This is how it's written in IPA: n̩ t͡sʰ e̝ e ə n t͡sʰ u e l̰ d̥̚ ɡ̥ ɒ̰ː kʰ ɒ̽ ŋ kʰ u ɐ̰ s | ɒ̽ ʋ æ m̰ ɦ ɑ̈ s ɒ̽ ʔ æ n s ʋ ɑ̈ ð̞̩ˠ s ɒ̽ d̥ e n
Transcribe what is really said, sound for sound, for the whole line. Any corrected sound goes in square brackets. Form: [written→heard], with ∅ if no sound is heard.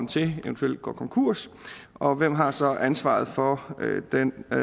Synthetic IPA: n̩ t͡sʰ e̝ e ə n t͡sʰ u e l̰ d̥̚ ɡ̥ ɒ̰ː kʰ ɒ̽ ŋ kʰ u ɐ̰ s | ɒ̽ ʋ [æ→e] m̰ ɦ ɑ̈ s ɒ̽ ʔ æ n s ʋ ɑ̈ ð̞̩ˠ [s→f] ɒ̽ d̥ e n